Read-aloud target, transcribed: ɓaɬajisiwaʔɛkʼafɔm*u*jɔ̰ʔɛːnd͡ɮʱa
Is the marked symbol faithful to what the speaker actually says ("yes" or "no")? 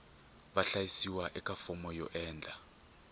no